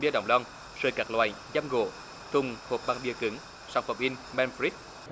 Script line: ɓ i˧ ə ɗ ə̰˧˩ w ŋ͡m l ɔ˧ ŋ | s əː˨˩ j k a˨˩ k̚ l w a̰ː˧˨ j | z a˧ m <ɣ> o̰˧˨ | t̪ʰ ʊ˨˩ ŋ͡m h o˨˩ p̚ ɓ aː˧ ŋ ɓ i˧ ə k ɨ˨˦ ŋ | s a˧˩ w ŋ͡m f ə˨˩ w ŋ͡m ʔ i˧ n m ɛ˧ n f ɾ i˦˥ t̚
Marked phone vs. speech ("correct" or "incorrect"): correct